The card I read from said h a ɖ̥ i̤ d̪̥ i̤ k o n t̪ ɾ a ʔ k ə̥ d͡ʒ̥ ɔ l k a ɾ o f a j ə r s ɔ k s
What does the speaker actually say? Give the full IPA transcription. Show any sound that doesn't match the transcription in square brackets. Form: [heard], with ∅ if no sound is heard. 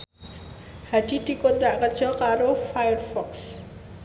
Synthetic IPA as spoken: h a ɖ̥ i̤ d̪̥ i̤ k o n t̪ ɾ a ʔ k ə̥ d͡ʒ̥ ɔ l k a ɾ o f a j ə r [f] ɔ k s